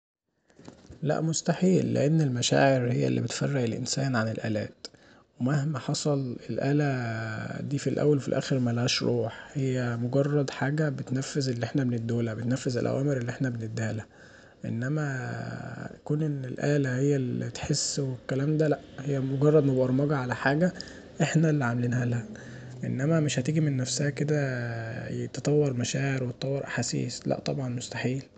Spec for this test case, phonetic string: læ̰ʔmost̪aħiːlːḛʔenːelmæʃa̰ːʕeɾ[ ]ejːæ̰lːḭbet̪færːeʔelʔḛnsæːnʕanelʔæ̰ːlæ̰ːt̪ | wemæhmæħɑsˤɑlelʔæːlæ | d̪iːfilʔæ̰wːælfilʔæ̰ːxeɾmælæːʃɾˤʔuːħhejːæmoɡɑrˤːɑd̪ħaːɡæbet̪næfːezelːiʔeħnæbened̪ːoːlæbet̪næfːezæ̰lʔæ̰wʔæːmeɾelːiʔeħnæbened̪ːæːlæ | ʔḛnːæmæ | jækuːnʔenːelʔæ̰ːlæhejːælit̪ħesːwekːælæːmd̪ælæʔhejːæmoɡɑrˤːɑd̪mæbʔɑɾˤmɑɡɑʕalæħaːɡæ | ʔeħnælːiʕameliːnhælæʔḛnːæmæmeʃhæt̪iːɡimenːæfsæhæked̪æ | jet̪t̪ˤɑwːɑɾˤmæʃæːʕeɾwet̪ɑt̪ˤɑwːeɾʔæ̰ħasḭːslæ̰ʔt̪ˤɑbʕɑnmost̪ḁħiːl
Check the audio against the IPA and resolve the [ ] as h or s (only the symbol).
h